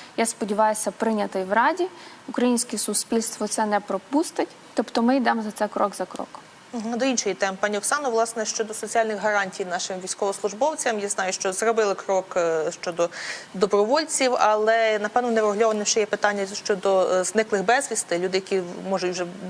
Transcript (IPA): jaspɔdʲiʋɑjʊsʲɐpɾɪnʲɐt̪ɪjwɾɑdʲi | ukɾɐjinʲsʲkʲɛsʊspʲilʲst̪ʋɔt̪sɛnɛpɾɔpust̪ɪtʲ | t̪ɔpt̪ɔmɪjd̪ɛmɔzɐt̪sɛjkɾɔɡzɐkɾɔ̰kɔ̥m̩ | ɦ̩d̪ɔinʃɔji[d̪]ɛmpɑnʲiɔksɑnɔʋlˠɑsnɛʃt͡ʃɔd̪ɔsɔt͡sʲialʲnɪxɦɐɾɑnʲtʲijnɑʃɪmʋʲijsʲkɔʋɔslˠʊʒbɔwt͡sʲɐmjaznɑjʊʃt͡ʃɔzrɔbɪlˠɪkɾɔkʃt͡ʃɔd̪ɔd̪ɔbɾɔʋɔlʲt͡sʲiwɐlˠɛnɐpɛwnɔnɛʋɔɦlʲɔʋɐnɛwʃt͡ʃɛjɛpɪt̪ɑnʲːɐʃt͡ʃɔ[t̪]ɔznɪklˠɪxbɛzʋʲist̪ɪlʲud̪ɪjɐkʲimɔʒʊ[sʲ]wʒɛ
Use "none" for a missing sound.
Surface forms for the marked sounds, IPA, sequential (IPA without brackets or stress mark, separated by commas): t̪, d̪, tʲ